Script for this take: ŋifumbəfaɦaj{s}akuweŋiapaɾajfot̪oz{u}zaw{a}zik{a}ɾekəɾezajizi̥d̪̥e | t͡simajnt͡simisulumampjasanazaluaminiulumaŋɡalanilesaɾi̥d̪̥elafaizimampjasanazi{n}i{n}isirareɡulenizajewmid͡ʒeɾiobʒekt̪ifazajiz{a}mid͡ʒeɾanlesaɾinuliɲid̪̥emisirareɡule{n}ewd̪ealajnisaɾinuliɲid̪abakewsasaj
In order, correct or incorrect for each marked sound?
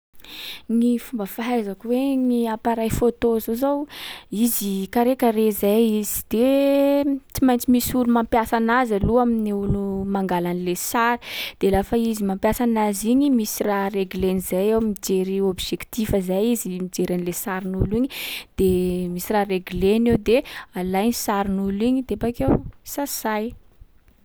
incorrect, incorrect, incorrect, correct, incorrect, incorrect, incorrect, correct

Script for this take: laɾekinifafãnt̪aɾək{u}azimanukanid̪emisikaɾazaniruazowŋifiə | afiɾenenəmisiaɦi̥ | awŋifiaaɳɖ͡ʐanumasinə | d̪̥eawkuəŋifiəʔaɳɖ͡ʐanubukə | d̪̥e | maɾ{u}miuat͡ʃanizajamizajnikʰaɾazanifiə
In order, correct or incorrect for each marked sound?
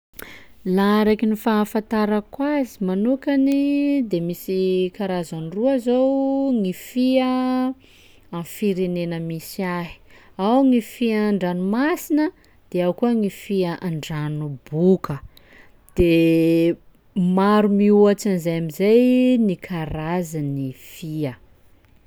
incorrect, correct

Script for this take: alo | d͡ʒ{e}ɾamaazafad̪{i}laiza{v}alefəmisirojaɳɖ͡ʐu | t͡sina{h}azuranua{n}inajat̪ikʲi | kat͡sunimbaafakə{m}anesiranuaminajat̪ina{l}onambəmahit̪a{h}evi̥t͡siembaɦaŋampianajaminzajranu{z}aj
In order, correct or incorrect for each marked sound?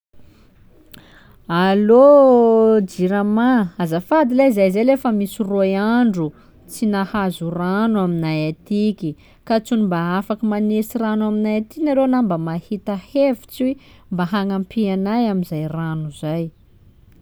incorrect, correct, incorrect, correct, incorrect, correct, incorrect, correct, correct

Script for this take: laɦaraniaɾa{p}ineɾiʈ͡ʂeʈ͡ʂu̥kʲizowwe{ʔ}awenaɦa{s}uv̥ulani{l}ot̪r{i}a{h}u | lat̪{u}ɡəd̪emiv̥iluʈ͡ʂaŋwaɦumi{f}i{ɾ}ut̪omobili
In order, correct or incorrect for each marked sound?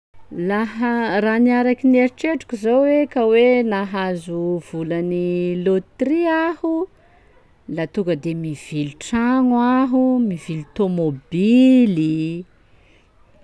incorrect, incorrect, incorrect, correct, correct, correct, correct, incorrect, incorrect

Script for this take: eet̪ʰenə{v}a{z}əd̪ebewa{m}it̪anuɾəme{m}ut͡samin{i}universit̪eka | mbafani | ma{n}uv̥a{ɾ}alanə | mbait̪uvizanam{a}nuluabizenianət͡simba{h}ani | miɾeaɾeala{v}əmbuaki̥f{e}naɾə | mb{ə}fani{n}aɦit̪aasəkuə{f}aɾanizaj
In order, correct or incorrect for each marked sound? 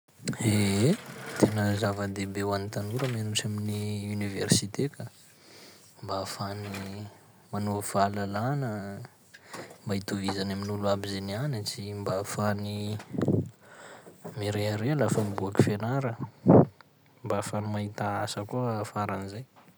incorrect, incorrect, incorrect, incorrect, correct, correct, incorrect, incorrect, incorrect, incorrect, correct, incorrect, incorrect, correct

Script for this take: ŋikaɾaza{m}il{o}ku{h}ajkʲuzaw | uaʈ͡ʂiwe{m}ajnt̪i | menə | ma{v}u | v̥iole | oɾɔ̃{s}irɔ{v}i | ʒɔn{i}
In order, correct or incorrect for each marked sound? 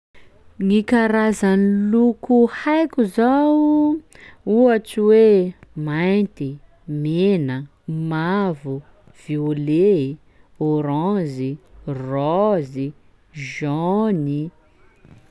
incorrect, incorrect, correct, correct, correct, incorrect, incorrect, correct

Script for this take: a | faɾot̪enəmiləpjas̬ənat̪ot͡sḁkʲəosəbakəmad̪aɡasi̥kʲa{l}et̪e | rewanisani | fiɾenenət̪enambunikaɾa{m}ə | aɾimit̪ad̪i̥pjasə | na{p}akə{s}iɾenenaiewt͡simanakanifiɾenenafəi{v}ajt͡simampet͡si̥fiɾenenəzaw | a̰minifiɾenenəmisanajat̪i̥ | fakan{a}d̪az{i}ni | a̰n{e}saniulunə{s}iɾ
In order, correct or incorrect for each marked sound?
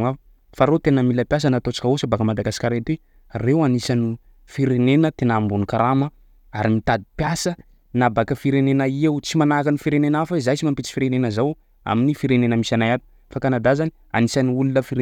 incorrect, correct, incorrect, incorrect, incorrect, correct, incorrect, incorrect, incorrect

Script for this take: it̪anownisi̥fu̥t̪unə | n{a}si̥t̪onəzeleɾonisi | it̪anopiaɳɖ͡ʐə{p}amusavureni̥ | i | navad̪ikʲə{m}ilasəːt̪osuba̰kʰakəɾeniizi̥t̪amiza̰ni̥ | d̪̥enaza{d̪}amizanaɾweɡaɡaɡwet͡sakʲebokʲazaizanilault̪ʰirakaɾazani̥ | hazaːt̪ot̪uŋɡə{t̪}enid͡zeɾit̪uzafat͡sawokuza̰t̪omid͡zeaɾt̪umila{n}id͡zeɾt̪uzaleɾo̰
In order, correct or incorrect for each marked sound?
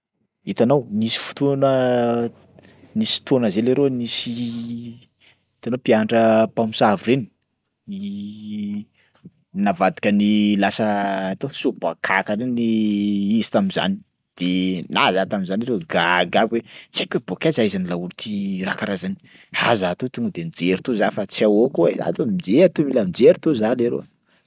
incorrect, correct, incorrect, incorrect, incorrect, incorrect

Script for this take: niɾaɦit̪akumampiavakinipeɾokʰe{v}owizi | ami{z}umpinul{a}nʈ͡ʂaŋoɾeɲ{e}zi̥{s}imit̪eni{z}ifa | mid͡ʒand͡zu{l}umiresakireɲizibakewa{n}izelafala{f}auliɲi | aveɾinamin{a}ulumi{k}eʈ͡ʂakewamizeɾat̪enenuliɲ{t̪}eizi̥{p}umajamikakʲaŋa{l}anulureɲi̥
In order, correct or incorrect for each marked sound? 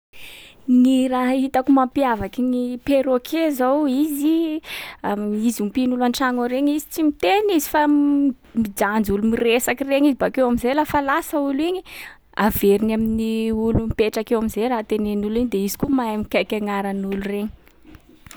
incorrect, correct, correct, incorrect, incorrect, correct, correct, incorrect, incorrect, incorrect, incorrect, incorrect, incorrect, incorrect

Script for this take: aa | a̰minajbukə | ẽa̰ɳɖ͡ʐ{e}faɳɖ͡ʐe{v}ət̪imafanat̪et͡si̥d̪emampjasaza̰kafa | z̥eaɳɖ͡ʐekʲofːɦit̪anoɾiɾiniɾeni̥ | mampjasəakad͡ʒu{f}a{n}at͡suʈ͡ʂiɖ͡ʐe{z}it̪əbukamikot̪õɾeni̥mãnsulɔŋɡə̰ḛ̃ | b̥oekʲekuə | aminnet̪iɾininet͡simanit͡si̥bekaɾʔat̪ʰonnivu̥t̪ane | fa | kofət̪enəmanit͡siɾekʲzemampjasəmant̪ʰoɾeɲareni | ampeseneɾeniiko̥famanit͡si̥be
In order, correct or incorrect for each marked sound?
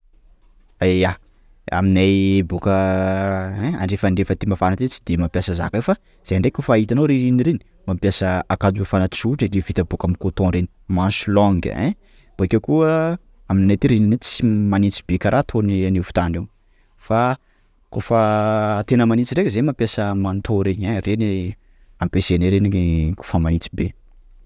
correct, incorrect, correct, correct, incorrect

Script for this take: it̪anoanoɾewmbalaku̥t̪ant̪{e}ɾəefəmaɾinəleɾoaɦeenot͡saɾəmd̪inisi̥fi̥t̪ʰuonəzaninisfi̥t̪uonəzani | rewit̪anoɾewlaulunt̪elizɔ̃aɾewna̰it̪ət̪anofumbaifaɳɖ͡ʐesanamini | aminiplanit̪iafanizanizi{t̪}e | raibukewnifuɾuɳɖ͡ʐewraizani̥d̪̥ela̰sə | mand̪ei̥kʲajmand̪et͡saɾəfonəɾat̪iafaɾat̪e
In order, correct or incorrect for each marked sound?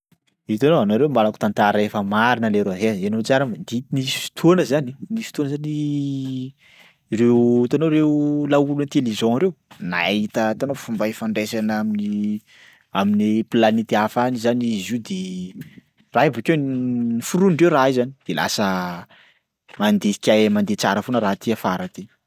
incorrect, incorrect

